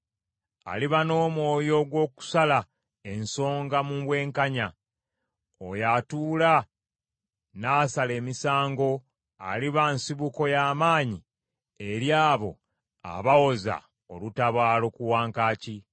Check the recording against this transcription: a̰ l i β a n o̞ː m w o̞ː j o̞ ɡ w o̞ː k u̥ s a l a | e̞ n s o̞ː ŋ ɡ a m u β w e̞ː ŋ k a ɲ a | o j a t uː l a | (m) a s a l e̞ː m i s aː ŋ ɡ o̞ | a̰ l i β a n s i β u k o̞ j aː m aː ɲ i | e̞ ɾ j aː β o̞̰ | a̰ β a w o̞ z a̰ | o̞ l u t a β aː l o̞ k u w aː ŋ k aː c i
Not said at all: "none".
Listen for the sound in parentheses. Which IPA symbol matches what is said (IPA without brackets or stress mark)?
n